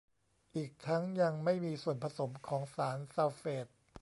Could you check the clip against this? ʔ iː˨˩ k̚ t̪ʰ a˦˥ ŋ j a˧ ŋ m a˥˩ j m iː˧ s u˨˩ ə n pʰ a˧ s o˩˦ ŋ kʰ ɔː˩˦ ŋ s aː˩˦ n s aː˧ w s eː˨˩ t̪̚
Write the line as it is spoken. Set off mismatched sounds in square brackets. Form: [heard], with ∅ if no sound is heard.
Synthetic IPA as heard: ʔ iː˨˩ k̚ t̪ʰ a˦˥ ŋ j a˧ ŋ m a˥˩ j m iː˧ s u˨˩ ə n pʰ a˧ s o˩˦ [m] kʰ ɔː˩˦ ŋ s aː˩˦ n s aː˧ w [f] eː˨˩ t̪̚